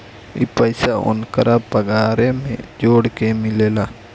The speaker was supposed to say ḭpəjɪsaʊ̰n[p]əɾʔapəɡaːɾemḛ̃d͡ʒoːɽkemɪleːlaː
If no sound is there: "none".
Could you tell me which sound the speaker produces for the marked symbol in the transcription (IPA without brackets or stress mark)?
k